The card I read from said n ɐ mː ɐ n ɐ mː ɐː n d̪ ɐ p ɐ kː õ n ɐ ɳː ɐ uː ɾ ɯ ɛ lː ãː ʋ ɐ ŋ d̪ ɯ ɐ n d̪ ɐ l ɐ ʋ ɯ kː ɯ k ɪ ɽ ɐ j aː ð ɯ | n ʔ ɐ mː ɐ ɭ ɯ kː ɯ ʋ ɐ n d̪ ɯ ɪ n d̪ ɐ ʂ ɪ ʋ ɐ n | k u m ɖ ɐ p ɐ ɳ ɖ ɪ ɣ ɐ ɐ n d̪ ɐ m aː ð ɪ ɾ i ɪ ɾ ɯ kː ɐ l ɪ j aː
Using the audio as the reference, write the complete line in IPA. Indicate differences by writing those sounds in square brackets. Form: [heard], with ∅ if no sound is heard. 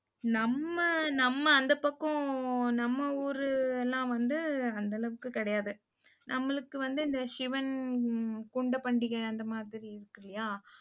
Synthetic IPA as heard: n ɐ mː ɐ n ɐ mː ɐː n d̪ ɐ p ɐ kː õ n ɐ [mː] ɐ uː ɾ ɯ ɛ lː ãː ʋ ɐ [n] d̪ ɯ ɐ n d̪ ɐ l ɐ ʋ ɯ kː ɯ k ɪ ɽ ɐ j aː ð ɯ | n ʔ ɐ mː ɐ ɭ ɯ kː ɯ ʋ ɐ n d̪ ɯ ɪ n d̪ ɐ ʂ ɪ ʋ ɐ n | k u [ɳ] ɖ ɐ p ɐ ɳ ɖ ɪ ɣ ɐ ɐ n d̪ ɐ m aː ð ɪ ɾ i ɪ ɾ ɯ kː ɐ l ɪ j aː

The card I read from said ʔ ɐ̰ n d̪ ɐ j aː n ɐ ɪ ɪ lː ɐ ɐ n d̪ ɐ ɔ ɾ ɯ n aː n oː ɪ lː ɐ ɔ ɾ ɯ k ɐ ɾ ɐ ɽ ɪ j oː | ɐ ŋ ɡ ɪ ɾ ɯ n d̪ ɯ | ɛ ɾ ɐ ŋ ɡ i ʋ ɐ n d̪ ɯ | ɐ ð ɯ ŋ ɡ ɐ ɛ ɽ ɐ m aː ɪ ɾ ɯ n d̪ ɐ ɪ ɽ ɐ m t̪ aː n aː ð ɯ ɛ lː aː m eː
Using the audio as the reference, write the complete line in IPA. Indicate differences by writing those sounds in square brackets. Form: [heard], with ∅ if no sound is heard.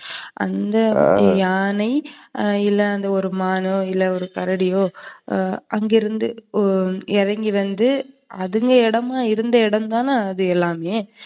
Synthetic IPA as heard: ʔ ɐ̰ n d̪ ɐ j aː n ɐ ɪ ɪ lː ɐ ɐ n d̪ ɐ ɔ ɾ ɯ [m] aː n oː ɪ lː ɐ ɔ ɾ ɯ k ɐ ɾ ɐ ɽ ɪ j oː | ɐ ŋ ɡ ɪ ɾ ɯ n d̪ ɯ | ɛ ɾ ɐ ŋ ɡ i ʋ ɐ n d̪ ɯ | ɐ ð ɯ ŋ ɡ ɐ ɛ ɽ ɐ m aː ɪ ɾ ɯ n d̪ ɐ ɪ ɽ ɐ m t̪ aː n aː ð ɯ ɛ lː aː m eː

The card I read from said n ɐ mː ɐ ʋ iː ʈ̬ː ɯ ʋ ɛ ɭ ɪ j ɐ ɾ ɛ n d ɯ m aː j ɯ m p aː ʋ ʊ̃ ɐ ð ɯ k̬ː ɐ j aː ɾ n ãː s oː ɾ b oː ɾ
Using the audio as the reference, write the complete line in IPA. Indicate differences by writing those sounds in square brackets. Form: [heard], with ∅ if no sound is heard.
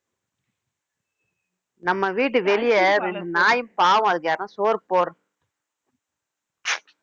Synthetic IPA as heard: n ɐ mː ɐ ʋ iː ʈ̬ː ɯ ʋ ɛ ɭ ɪ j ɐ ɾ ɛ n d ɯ [n] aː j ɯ m p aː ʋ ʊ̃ ɐ ð ɯ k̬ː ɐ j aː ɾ n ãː s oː ɾ [p] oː ɾ

